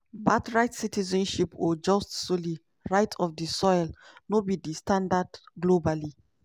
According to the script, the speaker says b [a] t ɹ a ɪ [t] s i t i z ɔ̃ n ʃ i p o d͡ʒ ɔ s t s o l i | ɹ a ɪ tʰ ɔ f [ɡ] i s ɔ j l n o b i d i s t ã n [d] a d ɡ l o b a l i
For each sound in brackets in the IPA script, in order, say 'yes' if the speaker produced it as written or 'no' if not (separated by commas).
yes, yes, no, yes